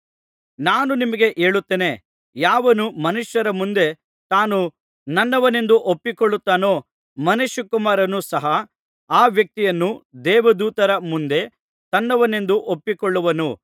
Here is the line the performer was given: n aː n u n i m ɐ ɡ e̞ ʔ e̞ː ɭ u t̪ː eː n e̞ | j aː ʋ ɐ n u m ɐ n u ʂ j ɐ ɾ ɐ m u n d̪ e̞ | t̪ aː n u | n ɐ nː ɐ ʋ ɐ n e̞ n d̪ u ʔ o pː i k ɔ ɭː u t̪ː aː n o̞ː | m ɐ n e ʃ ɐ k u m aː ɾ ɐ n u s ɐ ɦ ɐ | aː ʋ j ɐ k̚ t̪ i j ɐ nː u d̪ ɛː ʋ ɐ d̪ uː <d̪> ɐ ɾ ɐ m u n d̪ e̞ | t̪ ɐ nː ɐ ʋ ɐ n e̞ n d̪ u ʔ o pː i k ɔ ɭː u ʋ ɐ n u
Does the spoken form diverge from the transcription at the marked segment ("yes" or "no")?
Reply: yes